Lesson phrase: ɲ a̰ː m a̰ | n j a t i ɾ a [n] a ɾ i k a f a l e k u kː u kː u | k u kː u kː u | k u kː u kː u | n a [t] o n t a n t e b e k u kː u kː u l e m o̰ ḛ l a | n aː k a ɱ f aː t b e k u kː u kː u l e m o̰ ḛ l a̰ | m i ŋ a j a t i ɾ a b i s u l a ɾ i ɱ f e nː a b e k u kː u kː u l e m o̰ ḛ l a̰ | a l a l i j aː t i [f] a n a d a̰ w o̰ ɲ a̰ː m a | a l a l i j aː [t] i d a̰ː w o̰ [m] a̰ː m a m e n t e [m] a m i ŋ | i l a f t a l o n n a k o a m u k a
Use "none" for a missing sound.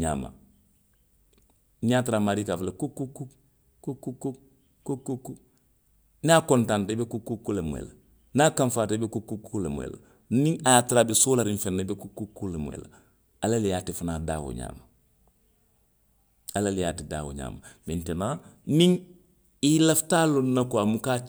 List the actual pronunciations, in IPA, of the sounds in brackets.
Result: m, k, f, t, ɲ, n

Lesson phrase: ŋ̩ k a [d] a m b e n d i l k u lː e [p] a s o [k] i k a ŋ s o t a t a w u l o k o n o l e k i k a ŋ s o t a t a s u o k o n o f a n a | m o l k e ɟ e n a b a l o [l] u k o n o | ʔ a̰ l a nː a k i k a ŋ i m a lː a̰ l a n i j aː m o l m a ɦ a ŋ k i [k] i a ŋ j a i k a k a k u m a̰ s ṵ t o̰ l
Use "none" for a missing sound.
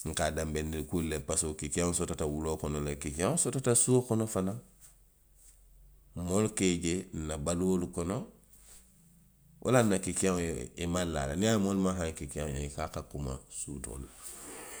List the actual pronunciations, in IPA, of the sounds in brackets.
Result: d, p, k, l, k

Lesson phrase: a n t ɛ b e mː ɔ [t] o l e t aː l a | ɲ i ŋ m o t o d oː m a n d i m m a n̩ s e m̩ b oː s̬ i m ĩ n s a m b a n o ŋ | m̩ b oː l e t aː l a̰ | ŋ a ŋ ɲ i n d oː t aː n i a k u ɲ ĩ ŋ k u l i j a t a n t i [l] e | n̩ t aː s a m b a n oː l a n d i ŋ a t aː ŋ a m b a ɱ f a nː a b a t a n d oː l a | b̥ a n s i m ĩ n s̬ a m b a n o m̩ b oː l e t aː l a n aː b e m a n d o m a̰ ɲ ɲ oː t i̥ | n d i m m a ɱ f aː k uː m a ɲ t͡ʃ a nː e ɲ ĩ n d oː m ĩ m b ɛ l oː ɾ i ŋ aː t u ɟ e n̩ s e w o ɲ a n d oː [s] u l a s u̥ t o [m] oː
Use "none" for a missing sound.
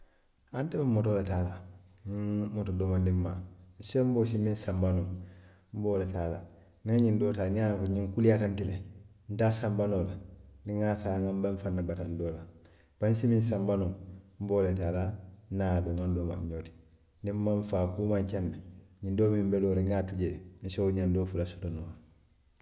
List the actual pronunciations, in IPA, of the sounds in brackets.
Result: t, l, f, n

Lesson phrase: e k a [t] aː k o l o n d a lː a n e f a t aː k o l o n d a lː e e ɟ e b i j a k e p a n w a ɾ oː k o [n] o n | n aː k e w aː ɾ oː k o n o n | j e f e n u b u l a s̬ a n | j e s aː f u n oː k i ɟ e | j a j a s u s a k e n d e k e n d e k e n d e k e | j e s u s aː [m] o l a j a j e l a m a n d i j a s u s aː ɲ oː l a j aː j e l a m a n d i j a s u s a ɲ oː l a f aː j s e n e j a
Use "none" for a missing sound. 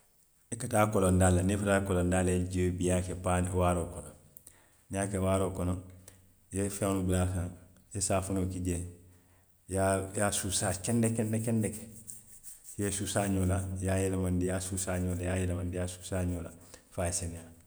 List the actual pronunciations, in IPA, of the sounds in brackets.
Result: t, n, ɲ

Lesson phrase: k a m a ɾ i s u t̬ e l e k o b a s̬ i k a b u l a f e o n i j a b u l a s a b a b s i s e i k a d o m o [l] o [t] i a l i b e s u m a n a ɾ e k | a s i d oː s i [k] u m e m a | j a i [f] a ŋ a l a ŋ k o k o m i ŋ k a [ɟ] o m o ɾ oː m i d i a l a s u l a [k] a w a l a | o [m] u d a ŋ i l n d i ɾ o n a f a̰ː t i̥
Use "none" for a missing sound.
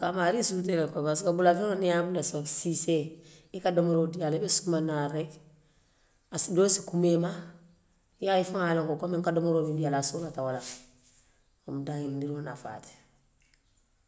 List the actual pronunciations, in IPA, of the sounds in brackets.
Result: ɾ, d, k, f, d, t, m

